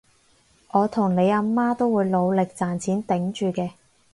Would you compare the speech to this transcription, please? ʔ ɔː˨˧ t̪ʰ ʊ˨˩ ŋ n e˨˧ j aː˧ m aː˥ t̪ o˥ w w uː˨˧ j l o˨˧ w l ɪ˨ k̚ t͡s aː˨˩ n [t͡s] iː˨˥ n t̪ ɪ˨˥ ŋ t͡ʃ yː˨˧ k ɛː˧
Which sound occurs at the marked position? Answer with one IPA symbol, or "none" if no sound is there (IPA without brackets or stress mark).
t͡sʰ